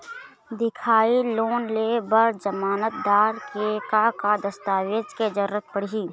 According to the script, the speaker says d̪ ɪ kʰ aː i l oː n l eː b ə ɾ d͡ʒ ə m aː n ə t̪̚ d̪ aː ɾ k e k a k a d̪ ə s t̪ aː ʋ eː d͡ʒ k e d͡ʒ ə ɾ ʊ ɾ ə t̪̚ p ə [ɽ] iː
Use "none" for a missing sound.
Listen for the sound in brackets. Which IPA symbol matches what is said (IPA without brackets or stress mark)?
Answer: ɽ